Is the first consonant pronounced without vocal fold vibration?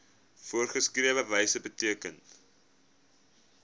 yes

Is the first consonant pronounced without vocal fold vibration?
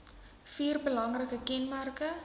yes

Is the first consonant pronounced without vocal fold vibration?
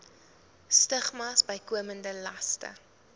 yes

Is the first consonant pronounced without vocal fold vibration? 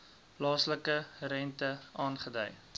yes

